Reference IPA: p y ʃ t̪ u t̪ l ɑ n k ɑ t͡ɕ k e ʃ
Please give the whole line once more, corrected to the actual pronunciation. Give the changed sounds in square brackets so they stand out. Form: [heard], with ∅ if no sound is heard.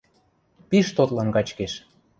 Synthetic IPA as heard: p [i] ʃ t̪ [o] t̪ l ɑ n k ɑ t͡ɕ k e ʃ